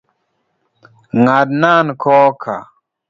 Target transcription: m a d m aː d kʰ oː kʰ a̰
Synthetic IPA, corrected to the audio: ŋ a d n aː n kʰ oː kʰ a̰